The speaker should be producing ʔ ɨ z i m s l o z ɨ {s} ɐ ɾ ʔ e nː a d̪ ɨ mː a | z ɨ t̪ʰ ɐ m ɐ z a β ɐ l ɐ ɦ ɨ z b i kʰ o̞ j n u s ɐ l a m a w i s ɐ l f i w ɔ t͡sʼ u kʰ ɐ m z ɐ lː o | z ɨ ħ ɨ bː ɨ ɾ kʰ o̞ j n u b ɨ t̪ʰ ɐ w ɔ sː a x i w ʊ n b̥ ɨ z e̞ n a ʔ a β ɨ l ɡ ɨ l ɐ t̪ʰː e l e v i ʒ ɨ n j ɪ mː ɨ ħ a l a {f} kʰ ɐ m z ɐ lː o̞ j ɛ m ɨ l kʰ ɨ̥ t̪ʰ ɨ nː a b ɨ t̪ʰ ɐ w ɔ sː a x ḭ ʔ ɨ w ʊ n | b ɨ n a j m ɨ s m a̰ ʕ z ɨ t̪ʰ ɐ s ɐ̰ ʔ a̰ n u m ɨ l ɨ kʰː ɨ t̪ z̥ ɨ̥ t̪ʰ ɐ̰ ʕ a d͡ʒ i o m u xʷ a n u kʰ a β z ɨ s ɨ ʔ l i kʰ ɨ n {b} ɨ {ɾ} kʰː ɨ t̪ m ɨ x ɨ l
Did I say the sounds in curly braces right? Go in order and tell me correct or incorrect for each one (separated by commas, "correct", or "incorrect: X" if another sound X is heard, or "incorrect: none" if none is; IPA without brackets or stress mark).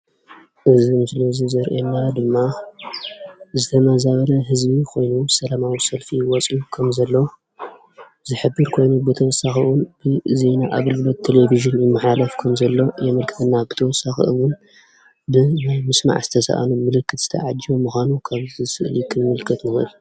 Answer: incorrect: z, correct, incorrect: m, incorrect: l